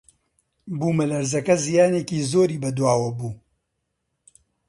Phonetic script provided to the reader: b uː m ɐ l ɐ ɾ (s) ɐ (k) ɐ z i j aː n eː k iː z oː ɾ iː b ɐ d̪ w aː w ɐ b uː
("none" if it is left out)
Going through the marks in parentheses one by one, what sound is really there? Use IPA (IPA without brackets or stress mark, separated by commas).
z, k